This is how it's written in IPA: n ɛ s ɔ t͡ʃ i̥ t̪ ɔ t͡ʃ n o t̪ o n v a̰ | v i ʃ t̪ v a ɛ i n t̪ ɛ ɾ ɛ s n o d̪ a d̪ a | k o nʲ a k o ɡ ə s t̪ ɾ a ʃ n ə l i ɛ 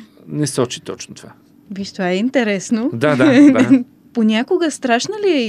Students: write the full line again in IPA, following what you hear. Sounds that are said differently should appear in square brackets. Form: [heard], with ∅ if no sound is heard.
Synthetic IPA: n ɛ s ɔ t͡ʃ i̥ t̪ ɔ t͡ʃ n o t̪ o [∅] v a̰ | v i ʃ t̪ v a ɛ i n t̪ ɛ ɾ ɛ s n o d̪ a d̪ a | [p] o nʲ a k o ɡ ə s t̪ ɾ a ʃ n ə l i ɛ